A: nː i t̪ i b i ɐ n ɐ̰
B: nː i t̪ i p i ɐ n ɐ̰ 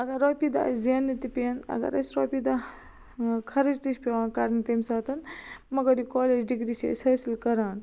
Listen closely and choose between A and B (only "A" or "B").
B